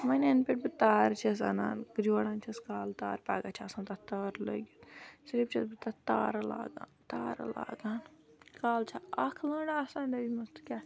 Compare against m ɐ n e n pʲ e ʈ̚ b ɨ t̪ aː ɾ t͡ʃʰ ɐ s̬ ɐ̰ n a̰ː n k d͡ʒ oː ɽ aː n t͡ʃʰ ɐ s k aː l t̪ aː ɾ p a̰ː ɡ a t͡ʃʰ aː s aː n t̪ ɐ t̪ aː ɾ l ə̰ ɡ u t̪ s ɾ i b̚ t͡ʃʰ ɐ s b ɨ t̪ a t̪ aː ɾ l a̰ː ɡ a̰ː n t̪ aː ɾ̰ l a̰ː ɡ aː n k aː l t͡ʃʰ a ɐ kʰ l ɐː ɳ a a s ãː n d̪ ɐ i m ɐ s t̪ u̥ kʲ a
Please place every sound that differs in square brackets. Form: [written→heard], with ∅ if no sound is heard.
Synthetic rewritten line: m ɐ n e n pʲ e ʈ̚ b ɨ t̪ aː ɾ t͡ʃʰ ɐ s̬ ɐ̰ n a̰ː n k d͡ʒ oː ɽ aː n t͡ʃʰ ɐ s k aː l t̪ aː ɾ p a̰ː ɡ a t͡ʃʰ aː s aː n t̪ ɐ t̪ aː ɾ l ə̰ ɡ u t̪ s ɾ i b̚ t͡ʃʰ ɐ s b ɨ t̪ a t̪ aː ɾ l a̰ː ɡ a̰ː n t̪ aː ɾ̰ l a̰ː ɡ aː n k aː l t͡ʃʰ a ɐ kʰ l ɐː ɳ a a s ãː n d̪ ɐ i m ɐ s t̪ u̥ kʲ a